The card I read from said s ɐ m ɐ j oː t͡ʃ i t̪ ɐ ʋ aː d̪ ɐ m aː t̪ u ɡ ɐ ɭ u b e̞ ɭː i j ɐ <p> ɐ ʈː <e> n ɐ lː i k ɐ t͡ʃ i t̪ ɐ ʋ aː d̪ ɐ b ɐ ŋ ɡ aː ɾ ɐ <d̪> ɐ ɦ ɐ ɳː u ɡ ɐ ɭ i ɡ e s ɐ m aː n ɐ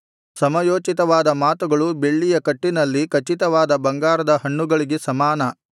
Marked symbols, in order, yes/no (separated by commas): no, no, yes